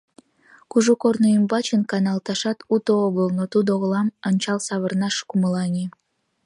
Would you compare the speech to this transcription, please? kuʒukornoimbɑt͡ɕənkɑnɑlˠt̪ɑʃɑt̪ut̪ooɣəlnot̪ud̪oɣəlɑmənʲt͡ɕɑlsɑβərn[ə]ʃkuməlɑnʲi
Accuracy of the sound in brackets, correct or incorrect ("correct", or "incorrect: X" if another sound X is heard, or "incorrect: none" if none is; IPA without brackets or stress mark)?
incorrect: ɑ